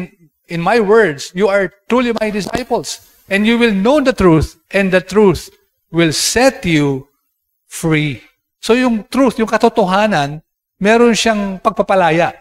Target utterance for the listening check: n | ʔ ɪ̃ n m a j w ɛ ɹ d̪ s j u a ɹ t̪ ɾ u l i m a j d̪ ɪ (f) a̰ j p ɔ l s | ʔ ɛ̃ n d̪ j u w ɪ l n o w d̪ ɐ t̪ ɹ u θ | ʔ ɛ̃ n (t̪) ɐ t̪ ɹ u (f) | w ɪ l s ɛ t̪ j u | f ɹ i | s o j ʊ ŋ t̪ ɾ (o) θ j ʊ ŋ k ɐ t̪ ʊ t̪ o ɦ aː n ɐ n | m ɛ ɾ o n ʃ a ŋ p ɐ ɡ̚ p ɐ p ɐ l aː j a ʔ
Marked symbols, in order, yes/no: no, no, no, no

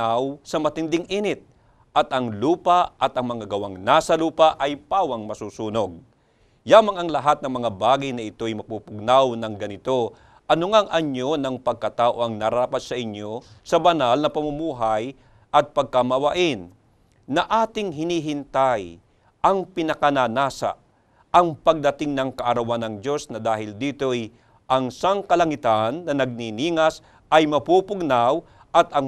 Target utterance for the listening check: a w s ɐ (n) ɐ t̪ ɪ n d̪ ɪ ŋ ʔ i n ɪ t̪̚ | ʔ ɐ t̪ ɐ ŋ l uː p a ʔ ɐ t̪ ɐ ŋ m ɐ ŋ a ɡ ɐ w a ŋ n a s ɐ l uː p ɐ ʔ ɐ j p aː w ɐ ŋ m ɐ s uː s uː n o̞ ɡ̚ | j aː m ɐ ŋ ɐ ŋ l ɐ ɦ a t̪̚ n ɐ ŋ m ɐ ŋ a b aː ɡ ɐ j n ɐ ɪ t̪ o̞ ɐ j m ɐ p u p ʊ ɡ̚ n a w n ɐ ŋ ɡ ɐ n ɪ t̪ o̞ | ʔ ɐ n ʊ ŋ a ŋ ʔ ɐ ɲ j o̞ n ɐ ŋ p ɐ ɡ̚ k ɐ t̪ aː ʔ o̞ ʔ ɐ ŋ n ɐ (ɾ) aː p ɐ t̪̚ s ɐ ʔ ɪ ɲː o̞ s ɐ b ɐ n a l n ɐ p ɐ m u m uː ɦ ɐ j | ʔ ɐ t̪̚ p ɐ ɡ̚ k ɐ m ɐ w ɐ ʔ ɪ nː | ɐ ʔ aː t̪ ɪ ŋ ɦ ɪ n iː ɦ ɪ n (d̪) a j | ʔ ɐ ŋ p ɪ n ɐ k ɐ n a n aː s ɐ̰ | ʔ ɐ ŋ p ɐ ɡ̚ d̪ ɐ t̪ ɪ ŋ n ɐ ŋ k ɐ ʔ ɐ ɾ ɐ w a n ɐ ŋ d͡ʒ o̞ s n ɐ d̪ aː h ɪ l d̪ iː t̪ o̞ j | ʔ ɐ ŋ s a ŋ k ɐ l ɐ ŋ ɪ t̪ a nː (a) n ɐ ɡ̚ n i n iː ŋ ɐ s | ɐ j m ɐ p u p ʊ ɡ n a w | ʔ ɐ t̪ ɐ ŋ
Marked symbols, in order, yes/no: no, yes, no, no

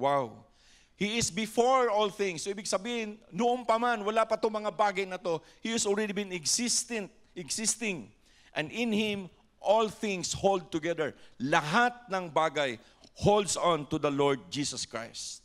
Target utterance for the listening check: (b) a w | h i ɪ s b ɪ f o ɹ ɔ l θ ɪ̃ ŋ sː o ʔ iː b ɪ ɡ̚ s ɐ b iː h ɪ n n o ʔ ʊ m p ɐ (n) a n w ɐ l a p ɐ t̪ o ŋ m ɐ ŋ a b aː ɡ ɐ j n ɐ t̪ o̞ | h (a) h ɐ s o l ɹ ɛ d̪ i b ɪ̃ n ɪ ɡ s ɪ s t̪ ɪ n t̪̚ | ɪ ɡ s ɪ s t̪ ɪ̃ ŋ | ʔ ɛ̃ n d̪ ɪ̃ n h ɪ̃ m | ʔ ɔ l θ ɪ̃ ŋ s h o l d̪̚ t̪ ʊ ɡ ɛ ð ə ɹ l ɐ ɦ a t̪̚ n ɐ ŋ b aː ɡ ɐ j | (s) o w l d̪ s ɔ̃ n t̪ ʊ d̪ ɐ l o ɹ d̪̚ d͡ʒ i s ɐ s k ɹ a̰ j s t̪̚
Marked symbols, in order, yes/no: no, no, no, no

